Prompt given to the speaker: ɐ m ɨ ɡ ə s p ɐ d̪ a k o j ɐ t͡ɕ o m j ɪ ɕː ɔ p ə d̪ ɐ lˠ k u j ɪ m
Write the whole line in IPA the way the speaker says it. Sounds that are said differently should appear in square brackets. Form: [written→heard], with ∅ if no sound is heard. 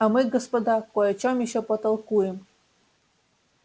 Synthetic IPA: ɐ m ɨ ɡ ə s p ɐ d̪ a k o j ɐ t͡ɕ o m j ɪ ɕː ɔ p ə [d̪→t̪] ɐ lˠ k u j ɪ m